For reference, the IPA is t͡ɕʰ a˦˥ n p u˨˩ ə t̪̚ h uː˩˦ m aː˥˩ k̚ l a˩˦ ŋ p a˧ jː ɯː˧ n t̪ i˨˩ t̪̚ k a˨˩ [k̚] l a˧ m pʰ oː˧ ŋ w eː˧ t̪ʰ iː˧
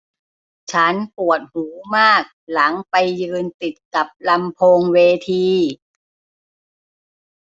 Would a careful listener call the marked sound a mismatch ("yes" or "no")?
yes